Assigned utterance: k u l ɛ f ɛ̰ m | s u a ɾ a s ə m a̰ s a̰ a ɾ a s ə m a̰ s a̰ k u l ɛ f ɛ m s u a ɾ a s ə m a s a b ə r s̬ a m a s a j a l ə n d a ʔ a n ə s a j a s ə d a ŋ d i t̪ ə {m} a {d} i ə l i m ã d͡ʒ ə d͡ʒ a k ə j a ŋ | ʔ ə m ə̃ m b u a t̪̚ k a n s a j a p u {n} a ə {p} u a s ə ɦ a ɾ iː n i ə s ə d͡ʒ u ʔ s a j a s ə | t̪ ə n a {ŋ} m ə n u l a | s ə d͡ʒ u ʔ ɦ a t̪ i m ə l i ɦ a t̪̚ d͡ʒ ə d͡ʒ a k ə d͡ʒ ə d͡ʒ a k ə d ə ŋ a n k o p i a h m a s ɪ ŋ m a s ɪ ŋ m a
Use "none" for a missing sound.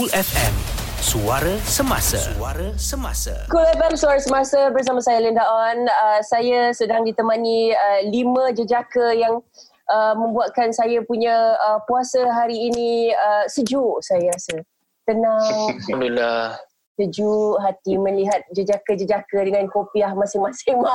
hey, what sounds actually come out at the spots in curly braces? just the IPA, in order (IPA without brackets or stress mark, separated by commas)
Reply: m, n, ɲ, p, ŋ